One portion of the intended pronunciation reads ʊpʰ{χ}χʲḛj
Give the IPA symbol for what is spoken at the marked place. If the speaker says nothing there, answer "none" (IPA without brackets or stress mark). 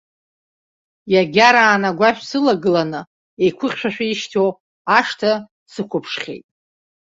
ʂ